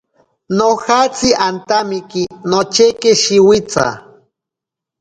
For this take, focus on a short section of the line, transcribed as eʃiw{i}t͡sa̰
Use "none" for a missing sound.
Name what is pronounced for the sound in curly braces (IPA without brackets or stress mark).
i